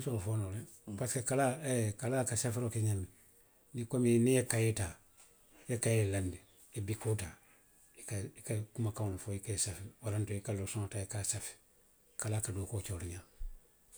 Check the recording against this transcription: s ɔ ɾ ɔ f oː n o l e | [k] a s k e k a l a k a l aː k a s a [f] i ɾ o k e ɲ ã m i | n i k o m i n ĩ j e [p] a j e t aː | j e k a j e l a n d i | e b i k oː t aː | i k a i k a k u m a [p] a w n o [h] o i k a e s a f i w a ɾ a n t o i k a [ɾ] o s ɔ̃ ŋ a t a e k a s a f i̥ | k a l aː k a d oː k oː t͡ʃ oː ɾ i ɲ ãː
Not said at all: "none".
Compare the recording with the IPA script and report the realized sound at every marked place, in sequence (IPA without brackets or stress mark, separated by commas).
p, f, k, k, f, l